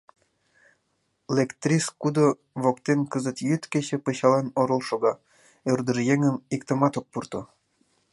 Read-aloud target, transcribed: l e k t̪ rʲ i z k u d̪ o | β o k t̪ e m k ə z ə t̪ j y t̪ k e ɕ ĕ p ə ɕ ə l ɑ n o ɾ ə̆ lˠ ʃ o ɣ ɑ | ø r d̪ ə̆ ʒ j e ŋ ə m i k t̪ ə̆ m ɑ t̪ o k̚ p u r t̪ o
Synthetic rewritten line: l e k t̪ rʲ i s k u d̪ o | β o k t̪ e n k ə z ə t̪ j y t̪ k e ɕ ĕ p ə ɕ ɑ l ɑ n o ɾ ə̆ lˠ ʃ o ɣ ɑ | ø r d̪ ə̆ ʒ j e ŋ ə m i k t̪ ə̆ m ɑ t̪ o k̚ p u r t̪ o